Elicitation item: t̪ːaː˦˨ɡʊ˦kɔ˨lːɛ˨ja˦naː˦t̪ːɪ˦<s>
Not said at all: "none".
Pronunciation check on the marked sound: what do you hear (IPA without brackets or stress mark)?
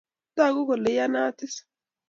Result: s